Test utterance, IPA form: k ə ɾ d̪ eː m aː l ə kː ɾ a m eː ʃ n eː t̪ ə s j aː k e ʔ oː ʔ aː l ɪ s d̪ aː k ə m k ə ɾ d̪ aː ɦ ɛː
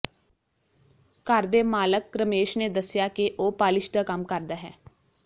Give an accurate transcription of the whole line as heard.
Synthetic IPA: k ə ɾ d̪ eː m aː l ə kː ɾ ə m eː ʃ n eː d̪ ə s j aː k e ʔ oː p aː l ɪ ʃ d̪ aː k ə m k ə ɾ d̪ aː ɦ ɛː